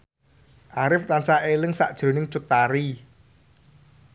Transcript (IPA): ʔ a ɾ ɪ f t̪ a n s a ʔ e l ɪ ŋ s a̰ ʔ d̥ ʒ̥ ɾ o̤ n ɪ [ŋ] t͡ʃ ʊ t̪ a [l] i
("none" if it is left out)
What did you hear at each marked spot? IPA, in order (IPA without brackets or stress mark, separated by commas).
ŋ, ɾ